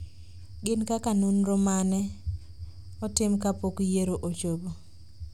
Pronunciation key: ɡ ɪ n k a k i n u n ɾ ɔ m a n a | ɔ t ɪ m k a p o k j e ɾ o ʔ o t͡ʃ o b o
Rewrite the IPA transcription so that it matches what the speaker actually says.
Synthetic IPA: ɡ ɪ n k a k a n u n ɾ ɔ m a n ɛ | ɔ t ɪ m k a p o k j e ɾ o ʔ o t͡ʃ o b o